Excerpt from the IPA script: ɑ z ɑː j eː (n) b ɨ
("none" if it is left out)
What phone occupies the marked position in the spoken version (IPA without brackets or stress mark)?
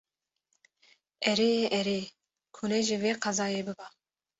none